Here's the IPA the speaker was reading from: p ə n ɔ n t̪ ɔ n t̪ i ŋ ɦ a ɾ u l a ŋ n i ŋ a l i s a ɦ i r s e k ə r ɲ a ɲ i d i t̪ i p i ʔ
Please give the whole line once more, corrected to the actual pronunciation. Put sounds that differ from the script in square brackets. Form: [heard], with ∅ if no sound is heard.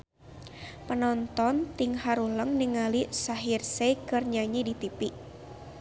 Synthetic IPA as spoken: p ə n ɔ n t̪ ɔ n t̪ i ŋ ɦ a ɾ u l [ə] ŋ n i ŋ a l i s a ɦ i r s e k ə r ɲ a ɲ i d i t̪ i p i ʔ